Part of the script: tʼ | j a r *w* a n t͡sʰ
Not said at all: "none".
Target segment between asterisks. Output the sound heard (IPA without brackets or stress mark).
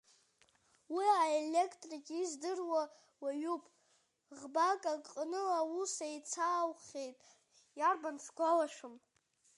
b